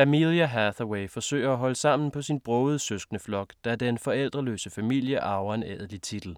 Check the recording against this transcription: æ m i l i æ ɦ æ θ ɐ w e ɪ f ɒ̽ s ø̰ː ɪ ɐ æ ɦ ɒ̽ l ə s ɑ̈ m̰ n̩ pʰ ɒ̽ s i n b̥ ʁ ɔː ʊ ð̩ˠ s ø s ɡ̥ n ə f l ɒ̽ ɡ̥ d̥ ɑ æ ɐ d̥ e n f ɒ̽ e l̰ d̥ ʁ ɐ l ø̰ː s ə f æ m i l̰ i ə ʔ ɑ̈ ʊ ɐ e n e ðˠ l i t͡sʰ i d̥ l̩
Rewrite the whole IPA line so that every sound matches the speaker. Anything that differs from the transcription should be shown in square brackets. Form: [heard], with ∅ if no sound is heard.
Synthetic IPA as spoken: æ m i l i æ ɦ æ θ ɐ w e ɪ f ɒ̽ s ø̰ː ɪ ɐ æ ɦ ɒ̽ l ə s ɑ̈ m̰ n̩ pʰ ɒ̽ s i n b̥ ʁ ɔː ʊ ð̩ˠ s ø s ɡ̥ n ə f l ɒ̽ ɡ̥ d̥ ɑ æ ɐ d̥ e n f ɒ̽ e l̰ d̥ ʁ ɐ l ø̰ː s ə f æ m i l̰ [j] ə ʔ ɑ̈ ʊ ɐ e n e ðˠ l i t͡sʰ i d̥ l̩